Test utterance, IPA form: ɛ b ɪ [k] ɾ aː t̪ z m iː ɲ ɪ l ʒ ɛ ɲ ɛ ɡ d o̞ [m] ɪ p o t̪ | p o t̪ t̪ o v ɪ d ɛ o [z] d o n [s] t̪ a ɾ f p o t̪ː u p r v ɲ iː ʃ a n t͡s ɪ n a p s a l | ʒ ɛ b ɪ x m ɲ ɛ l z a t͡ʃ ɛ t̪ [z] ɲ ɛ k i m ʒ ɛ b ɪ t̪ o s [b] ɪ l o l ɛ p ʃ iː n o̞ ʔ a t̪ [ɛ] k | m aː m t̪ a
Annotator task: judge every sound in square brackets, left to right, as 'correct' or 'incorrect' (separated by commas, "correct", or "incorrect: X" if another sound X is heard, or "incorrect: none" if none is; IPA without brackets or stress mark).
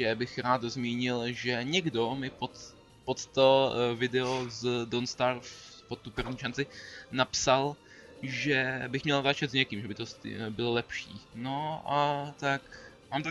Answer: incorrect: x, correct, correct, correct, correct, correct, incorrect: a